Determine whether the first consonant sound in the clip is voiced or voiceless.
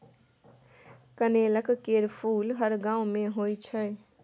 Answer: voiceless